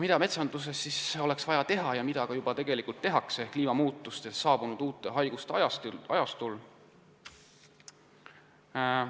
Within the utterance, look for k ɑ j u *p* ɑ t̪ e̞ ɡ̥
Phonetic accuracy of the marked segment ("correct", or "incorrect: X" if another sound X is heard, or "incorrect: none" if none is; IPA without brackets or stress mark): incorrect: b